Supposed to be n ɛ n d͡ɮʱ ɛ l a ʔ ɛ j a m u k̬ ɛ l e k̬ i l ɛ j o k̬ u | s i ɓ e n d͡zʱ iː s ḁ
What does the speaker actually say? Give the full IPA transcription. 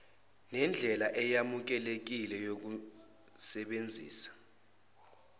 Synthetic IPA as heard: n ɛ n d͡ɮʱ ɛ l a ʔ ɛ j a m u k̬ ɛ l e k̬ i l ɛ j o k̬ u | s ɛ ɓ e n d͡zʱ iː s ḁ